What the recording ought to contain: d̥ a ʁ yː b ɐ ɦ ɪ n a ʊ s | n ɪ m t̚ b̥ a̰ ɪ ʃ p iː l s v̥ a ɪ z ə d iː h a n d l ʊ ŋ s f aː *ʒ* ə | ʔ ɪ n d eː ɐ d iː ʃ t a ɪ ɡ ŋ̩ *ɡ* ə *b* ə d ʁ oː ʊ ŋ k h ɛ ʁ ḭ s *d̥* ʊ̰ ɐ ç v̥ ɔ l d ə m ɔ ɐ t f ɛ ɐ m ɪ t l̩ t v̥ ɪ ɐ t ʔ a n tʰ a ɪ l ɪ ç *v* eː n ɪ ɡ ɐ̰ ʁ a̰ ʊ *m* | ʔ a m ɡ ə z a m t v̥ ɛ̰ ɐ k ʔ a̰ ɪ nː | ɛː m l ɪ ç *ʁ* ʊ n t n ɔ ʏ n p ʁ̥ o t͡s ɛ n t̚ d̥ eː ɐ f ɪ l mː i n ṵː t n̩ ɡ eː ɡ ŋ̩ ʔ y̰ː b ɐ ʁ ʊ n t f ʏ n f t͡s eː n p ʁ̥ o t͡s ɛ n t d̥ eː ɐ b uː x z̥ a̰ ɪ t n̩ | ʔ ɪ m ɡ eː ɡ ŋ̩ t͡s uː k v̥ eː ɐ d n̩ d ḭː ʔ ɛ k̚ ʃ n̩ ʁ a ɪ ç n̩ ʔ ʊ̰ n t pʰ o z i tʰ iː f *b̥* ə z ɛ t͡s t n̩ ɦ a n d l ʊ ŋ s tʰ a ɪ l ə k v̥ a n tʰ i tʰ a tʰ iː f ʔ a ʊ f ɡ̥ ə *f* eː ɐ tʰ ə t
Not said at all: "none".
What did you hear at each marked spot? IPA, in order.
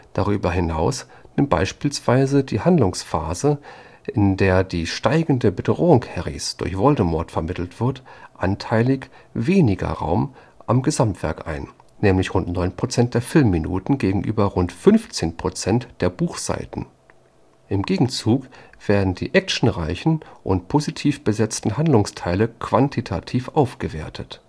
z, d, b, d̥, v, m, ʁ, b̥, v

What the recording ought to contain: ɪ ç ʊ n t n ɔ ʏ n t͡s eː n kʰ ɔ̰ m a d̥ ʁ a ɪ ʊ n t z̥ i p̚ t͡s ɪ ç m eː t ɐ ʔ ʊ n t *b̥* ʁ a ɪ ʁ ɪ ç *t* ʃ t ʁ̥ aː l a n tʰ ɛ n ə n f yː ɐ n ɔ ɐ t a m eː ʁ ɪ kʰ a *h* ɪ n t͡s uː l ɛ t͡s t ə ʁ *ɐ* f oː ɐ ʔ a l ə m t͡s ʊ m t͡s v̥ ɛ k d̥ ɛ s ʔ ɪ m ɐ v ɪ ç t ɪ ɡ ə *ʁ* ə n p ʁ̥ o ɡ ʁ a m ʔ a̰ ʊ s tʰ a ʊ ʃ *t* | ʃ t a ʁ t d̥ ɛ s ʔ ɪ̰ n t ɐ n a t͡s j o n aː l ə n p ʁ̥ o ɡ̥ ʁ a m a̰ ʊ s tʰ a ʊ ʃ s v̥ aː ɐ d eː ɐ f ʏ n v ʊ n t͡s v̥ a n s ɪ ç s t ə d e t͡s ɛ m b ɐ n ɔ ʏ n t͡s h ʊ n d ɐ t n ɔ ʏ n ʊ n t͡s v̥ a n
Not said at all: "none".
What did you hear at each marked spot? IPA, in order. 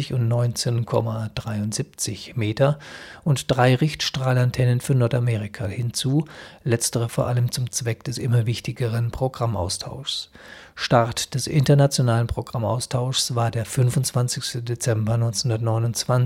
d̥, t, h, ə, ʁ, s

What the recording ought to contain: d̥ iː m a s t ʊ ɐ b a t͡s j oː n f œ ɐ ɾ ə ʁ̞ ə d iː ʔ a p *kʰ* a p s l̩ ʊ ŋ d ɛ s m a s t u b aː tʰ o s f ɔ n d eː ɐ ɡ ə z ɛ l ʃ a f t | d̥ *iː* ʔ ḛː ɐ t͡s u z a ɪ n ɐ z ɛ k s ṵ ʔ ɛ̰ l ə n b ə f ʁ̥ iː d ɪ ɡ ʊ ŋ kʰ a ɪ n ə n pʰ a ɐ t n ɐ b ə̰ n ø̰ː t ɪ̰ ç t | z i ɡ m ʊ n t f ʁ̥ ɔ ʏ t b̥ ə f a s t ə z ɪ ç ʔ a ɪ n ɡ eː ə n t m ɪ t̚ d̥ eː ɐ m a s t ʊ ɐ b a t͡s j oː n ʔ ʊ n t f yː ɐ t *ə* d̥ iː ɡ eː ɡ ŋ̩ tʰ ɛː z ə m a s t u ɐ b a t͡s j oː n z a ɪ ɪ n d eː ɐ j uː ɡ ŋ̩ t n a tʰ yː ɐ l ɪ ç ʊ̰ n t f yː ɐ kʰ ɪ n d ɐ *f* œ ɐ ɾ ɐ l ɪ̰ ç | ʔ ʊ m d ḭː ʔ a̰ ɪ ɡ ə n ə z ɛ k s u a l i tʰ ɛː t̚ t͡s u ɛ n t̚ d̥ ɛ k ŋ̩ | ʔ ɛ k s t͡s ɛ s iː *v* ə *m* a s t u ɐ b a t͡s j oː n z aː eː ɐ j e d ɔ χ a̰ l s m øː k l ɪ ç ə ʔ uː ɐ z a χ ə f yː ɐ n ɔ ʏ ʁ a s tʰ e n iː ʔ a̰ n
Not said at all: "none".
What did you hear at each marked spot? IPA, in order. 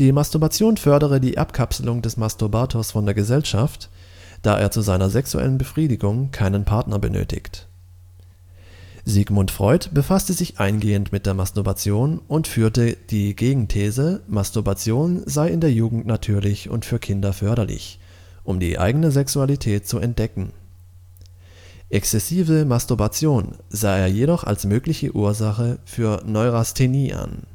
kʰ, aː, ə, f, v, m

